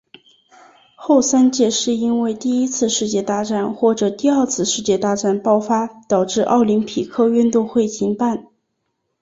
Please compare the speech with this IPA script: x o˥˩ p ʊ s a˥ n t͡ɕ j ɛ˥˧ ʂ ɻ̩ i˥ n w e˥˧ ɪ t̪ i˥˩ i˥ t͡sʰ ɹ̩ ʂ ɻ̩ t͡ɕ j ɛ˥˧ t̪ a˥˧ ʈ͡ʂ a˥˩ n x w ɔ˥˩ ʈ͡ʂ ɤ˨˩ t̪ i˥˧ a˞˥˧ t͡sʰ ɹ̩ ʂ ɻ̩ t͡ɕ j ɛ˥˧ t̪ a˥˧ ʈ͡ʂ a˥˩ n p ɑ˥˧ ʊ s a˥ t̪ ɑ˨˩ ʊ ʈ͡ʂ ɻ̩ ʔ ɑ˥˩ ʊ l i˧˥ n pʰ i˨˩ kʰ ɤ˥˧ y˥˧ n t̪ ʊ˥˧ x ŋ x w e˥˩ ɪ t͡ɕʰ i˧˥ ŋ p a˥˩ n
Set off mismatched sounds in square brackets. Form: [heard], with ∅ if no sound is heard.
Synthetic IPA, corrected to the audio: x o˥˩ [∅] ʊ s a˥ n t͡ɕ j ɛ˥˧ ʂ ɻ̩ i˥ n w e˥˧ ɪ t̪ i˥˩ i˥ t͡sʰ ɹ̩ ʂ ɻ̩ t͡ɕ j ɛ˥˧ t̪ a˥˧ ʈ͡ʂ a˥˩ n x w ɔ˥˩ ʈ͡ʂ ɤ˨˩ t̪ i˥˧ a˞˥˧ t͡sʰ ɹ̩ ʂ ɻ̩ t͡ɕ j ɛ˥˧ t̪ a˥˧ ʈ͡ʂ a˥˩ n p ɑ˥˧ ʊ [f] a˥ t̪ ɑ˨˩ ʊ ʈ͡ʂ ɻ̩ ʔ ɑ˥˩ ʊ l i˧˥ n pʰ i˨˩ kʰ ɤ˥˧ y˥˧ n t̪ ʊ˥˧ [∅] ŋ x w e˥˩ ɪ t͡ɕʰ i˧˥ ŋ p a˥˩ n